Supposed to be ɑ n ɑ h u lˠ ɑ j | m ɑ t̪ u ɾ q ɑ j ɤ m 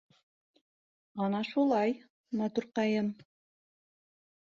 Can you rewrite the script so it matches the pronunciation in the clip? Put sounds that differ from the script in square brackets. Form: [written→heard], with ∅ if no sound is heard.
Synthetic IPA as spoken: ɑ n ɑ [h→ʃ] u lˠ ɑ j | m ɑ t̪ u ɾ q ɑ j ɤ m